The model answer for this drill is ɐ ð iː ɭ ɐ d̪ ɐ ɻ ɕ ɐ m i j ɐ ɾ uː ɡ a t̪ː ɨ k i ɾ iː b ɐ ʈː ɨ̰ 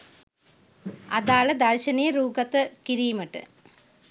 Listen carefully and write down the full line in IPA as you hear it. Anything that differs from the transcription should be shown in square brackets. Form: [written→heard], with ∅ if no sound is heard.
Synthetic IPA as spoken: ɐ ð [iː→aː] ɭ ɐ d̪ ɐ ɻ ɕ ɐ [m→n] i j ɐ ɾ uː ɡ [a→ɐ] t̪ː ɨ k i ɾ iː [b→m] ɐ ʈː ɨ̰